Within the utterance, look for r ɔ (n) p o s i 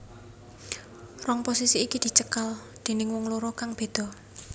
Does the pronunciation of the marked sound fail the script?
yes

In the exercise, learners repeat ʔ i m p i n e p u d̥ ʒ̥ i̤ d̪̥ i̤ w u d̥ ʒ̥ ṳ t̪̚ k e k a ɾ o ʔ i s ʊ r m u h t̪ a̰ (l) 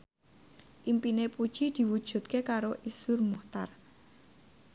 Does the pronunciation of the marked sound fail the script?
yes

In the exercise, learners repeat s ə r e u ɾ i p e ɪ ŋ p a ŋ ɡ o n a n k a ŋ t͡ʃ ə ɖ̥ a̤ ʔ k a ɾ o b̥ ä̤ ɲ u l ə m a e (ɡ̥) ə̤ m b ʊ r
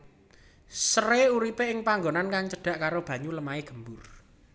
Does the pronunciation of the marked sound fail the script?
no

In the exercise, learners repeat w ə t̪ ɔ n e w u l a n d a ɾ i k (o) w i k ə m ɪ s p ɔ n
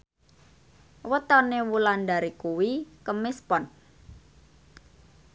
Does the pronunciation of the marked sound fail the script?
yes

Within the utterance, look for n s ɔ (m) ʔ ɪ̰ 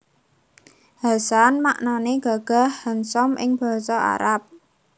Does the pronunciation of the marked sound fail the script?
no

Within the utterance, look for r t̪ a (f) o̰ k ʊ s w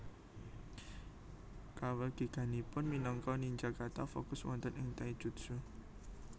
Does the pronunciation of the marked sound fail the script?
no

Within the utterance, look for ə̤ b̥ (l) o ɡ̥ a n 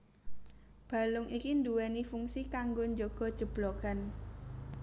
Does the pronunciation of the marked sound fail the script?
no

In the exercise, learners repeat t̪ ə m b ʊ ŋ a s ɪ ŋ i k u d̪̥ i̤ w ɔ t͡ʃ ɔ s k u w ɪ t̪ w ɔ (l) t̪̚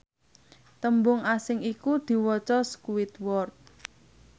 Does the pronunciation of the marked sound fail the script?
yes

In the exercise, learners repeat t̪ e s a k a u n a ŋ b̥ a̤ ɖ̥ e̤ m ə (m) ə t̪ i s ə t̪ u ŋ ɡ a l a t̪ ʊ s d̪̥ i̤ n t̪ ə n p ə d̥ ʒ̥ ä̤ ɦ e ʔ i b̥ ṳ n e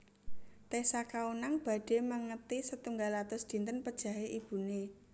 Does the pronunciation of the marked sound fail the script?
yes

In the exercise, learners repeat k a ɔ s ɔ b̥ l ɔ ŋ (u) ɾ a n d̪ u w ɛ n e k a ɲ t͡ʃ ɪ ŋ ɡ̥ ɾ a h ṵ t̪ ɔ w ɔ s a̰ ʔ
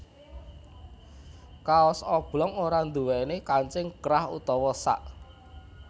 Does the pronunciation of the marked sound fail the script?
yes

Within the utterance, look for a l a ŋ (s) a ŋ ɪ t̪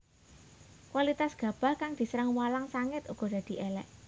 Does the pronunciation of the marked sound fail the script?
no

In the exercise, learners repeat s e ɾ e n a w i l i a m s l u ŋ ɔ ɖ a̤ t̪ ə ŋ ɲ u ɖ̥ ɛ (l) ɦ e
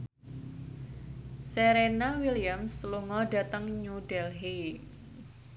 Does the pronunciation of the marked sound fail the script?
no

